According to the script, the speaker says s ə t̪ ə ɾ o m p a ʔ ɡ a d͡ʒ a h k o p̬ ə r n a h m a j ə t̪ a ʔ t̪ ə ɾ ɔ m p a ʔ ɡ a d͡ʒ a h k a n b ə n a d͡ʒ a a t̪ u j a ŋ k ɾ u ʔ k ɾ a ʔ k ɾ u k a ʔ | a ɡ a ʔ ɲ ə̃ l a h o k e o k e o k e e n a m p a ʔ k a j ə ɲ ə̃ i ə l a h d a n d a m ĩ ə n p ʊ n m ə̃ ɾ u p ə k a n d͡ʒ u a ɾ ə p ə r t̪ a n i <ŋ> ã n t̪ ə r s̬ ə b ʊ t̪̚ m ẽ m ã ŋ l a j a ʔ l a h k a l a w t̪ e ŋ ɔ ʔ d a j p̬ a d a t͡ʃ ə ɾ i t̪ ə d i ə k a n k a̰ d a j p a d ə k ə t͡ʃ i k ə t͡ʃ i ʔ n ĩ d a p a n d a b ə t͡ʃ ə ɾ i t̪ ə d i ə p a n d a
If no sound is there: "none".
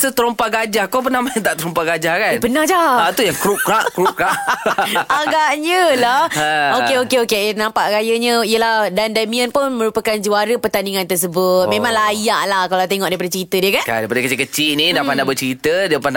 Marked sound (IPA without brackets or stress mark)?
ŋ